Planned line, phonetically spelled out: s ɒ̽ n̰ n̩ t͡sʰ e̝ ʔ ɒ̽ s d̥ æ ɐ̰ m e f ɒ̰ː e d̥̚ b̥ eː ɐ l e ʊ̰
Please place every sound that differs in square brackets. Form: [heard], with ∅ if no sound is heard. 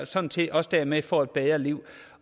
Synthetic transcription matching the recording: s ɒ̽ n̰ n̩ t͡sʰ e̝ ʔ ɒ̽ s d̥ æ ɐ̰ m e f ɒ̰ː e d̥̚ b̥ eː ɐ l [i] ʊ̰

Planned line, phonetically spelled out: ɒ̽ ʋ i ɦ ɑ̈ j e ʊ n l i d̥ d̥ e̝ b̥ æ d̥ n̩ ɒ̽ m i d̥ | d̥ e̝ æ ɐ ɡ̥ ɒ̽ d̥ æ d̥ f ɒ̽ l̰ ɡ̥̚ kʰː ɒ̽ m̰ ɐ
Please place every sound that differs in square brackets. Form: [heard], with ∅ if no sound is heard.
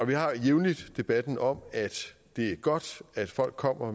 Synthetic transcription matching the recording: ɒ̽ ʋ i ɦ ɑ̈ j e ʊ n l i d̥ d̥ e̝ b̥ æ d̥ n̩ ɒ̽ m [æ] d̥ | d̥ e̝ æ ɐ ɡ̥ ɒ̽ d̥ æ d̥ f ɒ̽ l̰ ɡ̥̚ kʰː ɒ̽ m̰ ɐ

